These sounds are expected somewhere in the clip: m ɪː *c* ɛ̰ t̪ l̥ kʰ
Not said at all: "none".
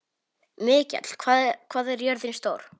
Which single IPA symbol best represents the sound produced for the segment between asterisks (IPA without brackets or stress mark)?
c